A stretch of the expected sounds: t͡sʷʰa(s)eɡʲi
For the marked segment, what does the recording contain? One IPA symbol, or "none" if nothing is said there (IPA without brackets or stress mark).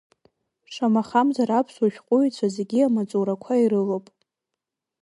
z